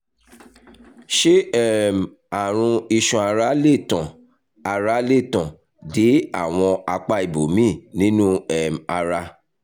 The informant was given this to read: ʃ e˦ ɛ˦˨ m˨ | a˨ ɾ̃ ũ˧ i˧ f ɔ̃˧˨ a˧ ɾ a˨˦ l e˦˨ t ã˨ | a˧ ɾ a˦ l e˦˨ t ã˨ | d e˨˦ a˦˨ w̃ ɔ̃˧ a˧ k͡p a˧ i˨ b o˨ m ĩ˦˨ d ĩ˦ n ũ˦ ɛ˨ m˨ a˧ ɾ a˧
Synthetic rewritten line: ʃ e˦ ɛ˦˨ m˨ | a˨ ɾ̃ ũ˧ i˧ ʃ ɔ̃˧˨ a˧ ɾ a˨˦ l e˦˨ t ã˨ | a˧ ɾ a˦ l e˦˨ t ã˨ | d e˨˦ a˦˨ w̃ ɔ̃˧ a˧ k͡p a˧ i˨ b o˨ m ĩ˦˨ n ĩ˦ n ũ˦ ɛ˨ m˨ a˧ ɾ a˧